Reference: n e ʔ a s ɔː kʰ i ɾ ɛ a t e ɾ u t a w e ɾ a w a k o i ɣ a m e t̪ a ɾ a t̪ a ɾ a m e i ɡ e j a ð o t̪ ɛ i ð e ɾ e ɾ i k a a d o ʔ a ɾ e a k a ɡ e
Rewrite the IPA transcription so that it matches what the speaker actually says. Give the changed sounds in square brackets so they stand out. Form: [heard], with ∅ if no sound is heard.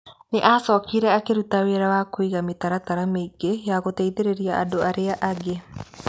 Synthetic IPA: n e ʔ a s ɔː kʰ i ɾ ɛ a [k] e ɾ u t a w e ɾ a w a k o i ɣ a m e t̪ a ɾ a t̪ a ɾ a m e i ɡ e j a [ɣ] o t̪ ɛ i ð e ɾ e ɾ i [∅] a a d o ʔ a ɾ e a [ʔ] a ɡ e